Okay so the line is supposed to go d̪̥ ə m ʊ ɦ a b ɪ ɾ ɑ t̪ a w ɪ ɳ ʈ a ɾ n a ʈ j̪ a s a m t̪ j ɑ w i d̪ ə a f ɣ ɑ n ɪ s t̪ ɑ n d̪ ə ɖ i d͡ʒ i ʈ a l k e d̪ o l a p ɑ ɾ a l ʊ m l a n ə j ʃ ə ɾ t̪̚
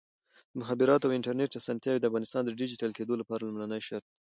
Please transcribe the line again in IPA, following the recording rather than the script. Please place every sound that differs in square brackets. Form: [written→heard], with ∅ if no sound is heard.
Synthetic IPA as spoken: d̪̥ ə m ʊ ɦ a b ɪ ɾ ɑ t̪ a w ɪ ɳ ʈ a ɾ n [a→e] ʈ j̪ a s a [m→n] t̪ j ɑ w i d̪ ə a f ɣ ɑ n ɪ s t̪ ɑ n d̪ ə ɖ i d͡ʒ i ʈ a l k e d̪ o l a p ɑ ɾ a l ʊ m l a n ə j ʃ [ə→a] ɾ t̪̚